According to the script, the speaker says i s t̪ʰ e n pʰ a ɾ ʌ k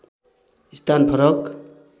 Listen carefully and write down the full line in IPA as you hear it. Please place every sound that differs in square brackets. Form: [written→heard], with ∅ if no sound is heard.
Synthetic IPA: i s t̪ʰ [e→a] n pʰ [a→ʌ] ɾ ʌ k